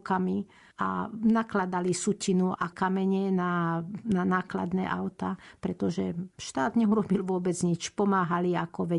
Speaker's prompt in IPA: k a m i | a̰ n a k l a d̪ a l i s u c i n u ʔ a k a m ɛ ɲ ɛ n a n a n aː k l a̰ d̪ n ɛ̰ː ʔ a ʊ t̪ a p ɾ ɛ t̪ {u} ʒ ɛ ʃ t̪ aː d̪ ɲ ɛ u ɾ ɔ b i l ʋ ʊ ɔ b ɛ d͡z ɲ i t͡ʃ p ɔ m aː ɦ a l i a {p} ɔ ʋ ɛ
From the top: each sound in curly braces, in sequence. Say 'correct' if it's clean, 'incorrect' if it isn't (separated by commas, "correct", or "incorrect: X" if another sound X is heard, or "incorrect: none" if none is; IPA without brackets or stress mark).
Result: incorrect: ɔ, incorrect: k